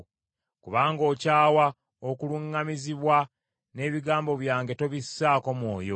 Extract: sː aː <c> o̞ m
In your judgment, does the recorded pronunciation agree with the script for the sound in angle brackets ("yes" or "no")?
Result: no